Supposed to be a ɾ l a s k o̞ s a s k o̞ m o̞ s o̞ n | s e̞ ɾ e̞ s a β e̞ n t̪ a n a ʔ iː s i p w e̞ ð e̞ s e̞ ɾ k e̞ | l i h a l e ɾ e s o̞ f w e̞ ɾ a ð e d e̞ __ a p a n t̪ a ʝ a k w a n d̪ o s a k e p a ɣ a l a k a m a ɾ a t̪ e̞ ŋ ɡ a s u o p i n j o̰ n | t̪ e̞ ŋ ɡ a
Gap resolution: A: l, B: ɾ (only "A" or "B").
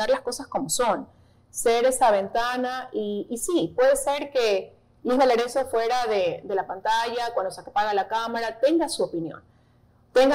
A